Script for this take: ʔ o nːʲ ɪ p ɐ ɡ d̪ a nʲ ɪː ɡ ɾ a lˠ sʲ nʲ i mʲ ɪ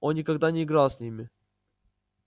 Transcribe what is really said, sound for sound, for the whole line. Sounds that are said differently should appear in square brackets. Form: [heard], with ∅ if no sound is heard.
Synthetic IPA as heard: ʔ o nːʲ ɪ [k] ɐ ɡ d̪ a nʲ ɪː ɡ ɾ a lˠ sʲ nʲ i mʲ ɪ